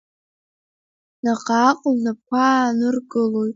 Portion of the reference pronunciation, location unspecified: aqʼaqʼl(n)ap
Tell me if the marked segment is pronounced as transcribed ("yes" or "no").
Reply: yes